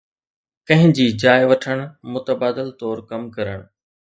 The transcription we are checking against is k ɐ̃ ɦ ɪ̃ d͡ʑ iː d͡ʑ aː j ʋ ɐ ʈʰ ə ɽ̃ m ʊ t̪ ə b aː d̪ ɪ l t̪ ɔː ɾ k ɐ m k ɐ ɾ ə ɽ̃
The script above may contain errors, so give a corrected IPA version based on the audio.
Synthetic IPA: k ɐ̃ ɦ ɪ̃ d͡ʑ iː d͡ʑ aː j ʋ ɐ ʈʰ ə ɽ̃ m ʊ t̪ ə b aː d̪ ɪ l t̪ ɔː ɾ k ɐ m k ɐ ɾ ə ɽ̃